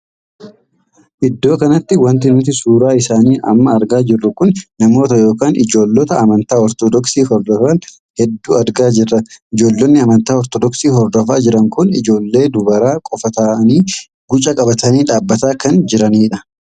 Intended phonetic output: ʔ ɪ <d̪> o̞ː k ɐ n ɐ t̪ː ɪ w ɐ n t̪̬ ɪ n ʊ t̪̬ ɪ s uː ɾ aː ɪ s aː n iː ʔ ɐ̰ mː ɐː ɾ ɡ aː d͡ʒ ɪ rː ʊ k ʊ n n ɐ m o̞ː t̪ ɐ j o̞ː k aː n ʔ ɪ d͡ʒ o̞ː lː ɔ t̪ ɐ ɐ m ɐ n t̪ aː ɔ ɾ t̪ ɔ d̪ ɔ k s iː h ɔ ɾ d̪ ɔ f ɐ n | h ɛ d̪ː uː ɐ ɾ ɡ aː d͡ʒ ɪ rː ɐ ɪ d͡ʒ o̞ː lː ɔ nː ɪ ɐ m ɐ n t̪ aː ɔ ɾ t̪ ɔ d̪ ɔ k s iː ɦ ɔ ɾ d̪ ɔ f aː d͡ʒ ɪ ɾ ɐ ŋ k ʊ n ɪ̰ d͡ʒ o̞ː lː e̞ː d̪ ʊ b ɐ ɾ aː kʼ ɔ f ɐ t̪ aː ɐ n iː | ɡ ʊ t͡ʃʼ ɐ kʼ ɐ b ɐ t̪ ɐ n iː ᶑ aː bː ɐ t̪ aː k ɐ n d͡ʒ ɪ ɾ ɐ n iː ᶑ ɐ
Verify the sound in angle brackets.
incorrect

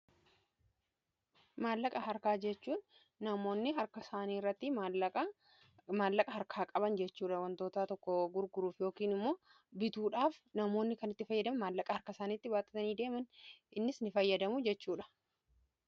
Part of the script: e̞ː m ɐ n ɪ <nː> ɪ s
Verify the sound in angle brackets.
correct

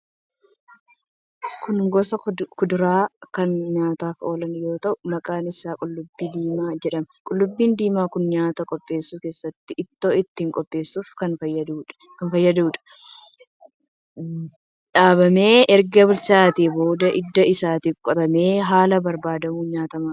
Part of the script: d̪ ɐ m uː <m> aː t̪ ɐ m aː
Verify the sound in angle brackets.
incorrect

